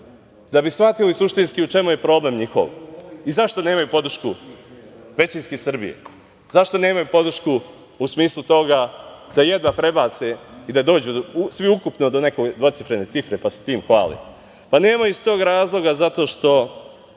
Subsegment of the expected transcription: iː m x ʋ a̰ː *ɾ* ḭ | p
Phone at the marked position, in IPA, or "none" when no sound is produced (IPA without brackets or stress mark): l